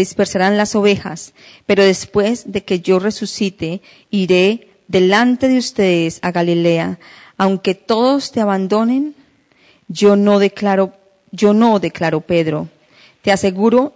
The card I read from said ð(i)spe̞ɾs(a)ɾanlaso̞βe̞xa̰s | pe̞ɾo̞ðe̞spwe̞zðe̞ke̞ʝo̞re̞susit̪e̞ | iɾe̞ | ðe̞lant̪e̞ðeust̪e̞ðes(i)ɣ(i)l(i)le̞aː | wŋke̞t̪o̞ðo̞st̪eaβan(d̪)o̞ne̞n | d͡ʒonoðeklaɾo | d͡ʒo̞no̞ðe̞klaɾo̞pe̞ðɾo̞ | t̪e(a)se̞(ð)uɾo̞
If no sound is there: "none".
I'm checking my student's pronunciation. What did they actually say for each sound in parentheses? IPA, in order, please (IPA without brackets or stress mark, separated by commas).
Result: i, a, a, a, i, d̪, a, ɣ